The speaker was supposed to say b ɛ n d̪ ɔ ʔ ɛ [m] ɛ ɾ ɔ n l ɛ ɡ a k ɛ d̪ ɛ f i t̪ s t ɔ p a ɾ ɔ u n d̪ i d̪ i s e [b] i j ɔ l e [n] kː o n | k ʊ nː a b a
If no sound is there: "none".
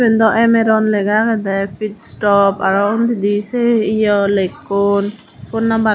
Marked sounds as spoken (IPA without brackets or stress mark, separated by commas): m, none, none